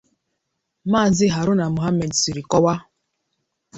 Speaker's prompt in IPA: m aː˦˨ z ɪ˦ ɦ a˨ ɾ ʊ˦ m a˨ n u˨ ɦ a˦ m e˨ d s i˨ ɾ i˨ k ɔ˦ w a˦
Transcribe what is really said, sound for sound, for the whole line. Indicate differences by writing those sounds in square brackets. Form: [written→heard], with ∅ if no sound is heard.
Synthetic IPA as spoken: m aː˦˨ z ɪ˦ ɦ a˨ ɾ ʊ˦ [m→n] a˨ [n→m] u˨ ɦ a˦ m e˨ d s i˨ ɾ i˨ k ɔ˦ w a˦